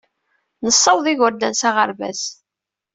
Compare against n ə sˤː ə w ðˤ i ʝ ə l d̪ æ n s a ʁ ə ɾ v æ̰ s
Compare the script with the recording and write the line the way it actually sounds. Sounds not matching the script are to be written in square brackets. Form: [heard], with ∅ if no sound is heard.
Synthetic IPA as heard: n ə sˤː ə w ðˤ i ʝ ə [ɾ] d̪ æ n s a ʁ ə ɾ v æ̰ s

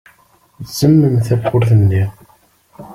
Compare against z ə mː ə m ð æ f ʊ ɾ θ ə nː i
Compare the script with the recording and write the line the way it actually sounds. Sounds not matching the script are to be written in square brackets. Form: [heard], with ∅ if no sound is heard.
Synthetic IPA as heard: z ə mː ə m [θ] æ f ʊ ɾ θ ə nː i

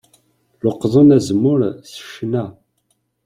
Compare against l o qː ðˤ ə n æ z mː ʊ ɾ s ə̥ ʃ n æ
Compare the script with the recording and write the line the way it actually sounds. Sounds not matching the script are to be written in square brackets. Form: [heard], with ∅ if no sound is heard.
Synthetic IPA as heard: l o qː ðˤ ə n æ z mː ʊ ɾ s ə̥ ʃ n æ

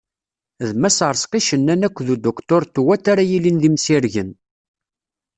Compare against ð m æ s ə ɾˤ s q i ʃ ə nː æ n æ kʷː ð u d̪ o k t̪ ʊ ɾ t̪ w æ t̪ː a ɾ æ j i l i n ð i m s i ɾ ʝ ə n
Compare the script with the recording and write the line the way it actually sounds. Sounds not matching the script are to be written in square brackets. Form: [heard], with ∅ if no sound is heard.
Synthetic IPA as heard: ð m æ s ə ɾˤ s q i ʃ ə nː æ n æ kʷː ð u d̪ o k t̪ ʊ ɾ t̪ w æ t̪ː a ɾ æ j i l i n ð i m s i ɾ ʝ ə n

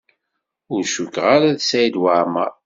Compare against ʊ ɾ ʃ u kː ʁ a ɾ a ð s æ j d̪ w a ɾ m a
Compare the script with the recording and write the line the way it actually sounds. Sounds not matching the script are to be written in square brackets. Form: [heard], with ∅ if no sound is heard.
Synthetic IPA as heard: ʊ ɾ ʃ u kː ʁ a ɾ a ð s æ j d̪ w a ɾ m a

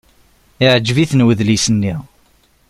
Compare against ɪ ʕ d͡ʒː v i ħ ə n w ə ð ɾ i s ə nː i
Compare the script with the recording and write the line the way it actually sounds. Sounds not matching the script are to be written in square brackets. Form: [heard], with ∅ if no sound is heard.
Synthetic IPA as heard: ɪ ʕ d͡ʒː v i [θ] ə n w ə ð [l] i s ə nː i

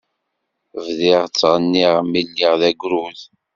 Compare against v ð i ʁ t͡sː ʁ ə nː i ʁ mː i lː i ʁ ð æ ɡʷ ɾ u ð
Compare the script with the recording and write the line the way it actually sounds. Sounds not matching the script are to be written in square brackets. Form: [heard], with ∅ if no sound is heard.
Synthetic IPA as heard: v ð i ʁ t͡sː ʁ ə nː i ʁ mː i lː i ʁ ð æ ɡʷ ɾ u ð

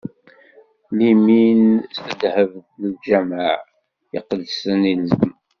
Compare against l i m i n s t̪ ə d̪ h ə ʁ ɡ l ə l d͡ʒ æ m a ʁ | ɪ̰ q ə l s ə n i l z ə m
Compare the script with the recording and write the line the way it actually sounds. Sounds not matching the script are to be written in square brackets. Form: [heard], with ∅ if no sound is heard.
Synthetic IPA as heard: l i m i n s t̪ ə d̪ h ə [v] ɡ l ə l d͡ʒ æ m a [ʕ] | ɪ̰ q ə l s ə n i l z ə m

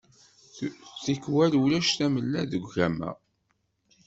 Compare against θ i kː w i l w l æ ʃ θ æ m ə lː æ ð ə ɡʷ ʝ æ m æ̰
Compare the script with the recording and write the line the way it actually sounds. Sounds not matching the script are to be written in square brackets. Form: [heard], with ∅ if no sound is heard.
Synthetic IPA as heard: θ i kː w [æ] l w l æ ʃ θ æ m ə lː æ ð ə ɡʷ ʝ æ m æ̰

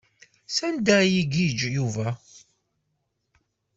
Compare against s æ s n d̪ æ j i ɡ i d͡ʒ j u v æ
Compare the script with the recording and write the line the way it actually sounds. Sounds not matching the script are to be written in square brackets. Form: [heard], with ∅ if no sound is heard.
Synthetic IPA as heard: s æ [∅] n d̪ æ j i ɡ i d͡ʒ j u v æ

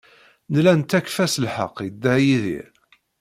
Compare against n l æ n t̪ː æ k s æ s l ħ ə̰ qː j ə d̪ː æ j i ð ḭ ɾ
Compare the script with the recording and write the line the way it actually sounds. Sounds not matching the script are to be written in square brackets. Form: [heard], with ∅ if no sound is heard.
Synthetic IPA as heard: n l æ n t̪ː æ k [f] æ s l ħ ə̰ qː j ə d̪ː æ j i ð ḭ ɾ

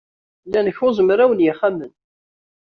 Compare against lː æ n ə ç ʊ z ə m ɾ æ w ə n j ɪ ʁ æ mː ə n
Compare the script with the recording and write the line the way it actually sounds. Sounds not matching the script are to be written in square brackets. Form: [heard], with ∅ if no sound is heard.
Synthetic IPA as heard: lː æ n ə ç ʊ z ə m ɾ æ w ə n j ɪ [χ] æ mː ə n

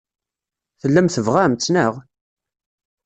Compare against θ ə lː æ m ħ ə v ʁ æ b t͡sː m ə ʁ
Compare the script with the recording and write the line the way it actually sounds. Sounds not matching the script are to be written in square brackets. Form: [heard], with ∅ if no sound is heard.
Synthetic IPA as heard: θ ə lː æ m [θ] ə v ʁ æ [m] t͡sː [n] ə ʁ

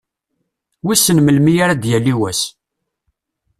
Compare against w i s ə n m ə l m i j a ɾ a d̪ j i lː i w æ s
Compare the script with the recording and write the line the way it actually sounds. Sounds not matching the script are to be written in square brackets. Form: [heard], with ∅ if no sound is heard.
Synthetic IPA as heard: w i s ə n m ə l m i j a ɾ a d̪ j [æ] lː i w æ s

